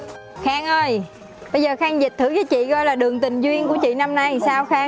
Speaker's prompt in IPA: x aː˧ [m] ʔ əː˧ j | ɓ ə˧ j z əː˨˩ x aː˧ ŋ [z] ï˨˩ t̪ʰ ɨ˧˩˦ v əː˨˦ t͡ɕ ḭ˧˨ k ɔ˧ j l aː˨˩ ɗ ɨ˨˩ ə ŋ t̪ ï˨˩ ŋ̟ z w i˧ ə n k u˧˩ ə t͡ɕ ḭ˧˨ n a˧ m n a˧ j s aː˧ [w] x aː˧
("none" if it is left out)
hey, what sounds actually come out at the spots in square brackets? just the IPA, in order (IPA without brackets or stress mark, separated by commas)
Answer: ŋ, z, w